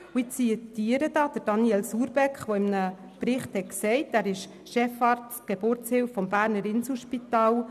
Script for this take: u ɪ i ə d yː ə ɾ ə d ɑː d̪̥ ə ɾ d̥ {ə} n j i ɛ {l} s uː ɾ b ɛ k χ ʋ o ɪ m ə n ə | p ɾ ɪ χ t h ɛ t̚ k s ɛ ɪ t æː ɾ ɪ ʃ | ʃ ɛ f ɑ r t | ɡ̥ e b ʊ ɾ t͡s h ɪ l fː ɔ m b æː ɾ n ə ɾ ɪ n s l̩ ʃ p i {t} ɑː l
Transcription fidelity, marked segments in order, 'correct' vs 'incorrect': incorrect, correct, correct

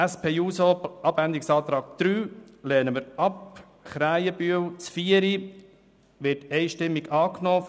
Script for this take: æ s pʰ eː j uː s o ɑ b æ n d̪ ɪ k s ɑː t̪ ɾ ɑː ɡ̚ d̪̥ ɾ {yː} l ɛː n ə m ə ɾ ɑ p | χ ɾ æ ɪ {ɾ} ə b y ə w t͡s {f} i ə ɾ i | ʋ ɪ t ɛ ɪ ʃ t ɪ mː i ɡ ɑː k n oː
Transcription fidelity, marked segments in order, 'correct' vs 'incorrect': correct, incorrect, correct

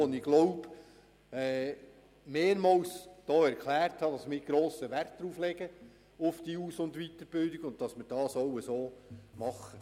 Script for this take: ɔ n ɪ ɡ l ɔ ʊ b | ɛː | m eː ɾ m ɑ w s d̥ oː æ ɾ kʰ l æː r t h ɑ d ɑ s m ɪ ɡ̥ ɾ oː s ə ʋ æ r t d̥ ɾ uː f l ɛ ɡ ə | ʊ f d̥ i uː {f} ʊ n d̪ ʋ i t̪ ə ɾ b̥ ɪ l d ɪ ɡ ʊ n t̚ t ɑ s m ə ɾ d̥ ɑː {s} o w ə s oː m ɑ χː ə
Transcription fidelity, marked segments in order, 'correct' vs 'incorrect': incorrect, correct

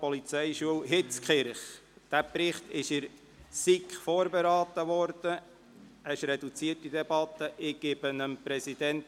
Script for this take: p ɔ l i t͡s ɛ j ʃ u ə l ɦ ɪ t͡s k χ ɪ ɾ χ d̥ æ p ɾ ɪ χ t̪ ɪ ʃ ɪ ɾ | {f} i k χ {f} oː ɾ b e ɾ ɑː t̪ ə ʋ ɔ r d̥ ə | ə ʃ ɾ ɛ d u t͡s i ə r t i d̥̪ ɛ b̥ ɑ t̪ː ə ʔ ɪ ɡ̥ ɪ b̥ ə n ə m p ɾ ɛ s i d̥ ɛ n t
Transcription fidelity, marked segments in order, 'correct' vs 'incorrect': incorrect, correct

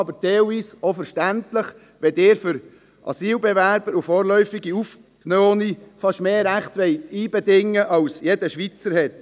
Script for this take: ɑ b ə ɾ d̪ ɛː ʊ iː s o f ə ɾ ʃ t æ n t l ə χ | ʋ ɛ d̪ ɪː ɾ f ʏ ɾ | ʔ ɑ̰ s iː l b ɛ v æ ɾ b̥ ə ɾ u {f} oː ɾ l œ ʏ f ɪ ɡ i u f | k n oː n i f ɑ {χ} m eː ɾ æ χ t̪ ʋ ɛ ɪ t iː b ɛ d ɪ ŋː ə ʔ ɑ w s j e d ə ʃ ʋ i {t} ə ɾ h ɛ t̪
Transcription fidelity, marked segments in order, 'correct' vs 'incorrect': correct, incorrect, incorrect

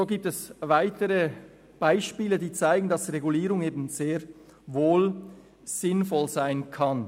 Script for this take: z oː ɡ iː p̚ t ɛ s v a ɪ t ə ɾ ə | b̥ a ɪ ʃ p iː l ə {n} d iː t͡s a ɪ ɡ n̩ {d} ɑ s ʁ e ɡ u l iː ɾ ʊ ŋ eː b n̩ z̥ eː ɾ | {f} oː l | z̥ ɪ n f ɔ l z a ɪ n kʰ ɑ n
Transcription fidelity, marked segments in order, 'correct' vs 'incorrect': incorrect, correct, incorrect

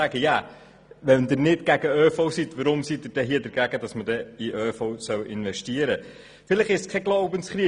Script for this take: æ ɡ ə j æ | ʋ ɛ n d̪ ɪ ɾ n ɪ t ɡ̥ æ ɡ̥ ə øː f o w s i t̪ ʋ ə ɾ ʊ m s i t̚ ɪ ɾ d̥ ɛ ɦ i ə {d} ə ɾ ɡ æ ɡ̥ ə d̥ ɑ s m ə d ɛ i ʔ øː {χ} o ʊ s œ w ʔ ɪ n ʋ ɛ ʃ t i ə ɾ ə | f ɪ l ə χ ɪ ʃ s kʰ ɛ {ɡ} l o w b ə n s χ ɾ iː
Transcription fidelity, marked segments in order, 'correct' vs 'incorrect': correct, incorrect, correct

